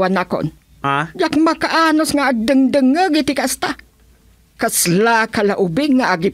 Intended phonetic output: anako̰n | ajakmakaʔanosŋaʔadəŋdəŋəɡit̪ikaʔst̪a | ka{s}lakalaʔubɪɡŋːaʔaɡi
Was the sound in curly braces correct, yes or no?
yes